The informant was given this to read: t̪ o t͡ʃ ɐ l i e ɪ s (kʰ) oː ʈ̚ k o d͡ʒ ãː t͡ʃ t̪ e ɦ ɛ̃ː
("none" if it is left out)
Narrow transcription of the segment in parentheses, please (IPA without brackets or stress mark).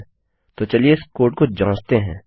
k